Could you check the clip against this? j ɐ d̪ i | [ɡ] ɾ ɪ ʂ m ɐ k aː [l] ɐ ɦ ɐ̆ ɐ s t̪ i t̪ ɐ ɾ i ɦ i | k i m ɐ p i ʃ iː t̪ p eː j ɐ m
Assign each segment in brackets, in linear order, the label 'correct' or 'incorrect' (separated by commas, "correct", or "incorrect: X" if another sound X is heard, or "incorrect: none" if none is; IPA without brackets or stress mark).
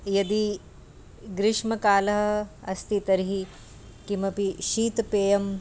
correct, correct